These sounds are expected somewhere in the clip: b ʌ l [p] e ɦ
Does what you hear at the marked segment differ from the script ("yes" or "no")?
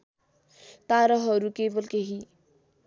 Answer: yes